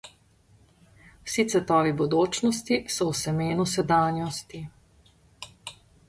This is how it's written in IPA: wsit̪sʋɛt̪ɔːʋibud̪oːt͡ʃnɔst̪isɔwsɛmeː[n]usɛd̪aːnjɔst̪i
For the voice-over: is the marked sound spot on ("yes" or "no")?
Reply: yes